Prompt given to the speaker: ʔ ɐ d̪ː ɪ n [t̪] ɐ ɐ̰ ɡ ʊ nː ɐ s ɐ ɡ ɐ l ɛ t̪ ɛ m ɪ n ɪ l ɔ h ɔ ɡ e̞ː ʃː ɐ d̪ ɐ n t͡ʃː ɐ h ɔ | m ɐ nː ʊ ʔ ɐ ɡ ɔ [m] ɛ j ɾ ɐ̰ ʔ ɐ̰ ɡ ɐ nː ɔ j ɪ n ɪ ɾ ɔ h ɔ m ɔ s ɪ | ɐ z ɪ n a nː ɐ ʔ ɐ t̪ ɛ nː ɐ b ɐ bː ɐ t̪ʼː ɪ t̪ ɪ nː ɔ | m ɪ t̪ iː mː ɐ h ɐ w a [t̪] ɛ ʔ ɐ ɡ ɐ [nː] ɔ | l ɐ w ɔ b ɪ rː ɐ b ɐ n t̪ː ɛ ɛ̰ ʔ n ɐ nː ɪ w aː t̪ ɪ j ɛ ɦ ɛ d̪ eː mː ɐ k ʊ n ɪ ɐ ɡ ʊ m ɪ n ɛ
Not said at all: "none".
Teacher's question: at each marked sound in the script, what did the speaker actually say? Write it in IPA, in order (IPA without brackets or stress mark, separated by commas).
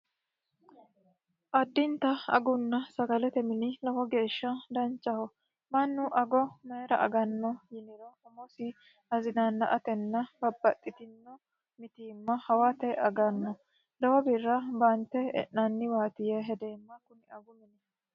t̪, m, t̪, nː